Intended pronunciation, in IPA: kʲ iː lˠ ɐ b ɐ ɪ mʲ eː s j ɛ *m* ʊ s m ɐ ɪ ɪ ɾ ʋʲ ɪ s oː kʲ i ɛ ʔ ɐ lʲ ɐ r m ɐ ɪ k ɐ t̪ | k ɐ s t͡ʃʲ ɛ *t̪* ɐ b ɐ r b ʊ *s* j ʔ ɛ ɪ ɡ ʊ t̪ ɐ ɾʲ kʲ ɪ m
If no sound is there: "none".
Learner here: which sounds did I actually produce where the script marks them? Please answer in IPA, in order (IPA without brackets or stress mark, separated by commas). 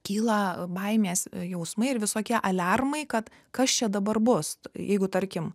none, d̪, s